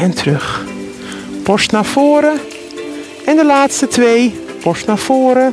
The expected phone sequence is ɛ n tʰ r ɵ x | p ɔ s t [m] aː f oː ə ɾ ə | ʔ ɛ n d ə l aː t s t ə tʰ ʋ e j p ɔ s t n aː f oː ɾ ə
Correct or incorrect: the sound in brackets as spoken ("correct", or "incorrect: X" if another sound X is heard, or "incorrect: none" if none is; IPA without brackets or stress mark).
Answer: incorrect: n